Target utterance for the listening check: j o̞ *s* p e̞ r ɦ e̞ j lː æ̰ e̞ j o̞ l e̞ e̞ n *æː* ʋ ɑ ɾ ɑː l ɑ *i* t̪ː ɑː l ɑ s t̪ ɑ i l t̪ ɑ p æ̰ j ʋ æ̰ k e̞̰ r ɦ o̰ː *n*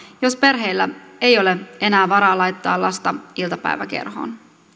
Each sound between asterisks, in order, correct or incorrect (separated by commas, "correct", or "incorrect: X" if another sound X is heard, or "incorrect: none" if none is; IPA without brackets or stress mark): correct, correct, incorrect: j, correct